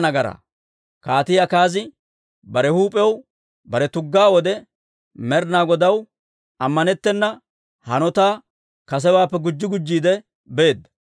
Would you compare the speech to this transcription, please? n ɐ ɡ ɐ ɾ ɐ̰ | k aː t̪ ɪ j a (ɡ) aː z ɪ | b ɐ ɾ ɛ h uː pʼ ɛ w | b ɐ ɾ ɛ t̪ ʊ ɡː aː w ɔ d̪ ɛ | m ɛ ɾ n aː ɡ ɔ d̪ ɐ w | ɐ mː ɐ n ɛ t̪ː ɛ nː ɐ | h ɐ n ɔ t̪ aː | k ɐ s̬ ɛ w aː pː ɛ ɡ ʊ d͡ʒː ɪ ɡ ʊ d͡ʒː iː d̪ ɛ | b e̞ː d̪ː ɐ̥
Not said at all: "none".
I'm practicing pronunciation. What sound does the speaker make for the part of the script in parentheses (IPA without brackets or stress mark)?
k